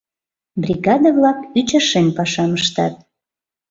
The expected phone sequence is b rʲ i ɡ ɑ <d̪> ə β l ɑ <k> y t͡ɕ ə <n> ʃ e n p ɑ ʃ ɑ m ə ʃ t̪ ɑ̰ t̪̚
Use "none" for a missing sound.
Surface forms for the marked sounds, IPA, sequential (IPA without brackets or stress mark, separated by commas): d̪, k, none